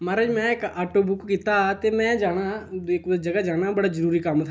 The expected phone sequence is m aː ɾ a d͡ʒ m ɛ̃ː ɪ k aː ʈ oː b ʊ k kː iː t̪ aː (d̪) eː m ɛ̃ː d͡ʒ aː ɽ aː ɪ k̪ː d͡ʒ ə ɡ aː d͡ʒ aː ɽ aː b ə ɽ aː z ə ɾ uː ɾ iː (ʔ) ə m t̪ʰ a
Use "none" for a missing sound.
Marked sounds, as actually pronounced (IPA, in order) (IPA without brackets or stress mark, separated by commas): t̪, k